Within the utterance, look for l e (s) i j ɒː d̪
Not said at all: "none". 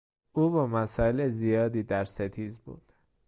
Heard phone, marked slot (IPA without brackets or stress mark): z